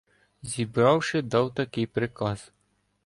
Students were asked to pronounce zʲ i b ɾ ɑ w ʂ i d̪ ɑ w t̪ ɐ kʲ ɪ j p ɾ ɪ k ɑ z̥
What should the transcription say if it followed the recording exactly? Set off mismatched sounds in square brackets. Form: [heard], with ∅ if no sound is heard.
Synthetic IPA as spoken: zʲ i b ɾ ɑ w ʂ [ɪ] d̪ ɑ w t̪ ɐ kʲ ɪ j p ɾ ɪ k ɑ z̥